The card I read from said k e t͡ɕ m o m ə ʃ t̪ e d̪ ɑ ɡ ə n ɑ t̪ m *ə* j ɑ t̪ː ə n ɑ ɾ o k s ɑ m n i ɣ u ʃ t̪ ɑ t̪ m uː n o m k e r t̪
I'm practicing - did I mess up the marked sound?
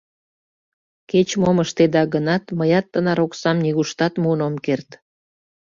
no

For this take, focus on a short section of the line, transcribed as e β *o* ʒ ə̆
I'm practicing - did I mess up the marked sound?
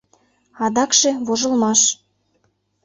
no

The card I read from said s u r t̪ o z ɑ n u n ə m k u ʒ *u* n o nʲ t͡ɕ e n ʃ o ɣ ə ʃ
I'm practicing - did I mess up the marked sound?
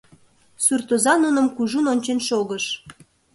no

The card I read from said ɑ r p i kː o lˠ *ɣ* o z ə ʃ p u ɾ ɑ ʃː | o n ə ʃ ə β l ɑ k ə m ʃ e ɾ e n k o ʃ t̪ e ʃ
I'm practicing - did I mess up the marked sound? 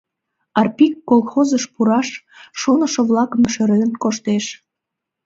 yes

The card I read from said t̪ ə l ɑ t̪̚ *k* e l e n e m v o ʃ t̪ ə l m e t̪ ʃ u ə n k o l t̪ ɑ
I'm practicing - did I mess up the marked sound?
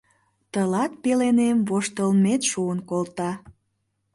yes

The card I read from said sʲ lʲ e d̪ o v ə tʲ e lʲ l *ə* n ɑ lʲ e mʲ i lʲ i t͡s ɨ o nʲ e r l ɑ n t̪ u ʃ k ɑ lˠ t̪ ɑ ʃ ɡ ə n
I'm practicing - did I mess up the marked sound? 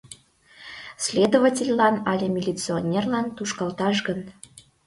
yes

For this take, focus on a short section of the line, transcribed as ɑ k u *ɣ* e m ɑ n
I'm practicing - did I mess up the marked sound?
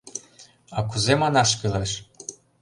yes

